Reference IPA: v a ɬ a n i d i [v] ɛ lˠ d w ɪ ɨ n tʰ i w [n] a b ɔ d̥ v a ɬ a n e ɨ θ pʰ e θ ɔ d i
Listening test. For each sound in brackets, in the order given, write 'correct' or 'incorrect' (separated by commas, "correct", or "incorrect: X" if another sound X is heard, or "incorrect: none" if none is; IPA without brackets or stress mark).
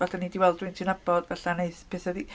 incorrect: w, correct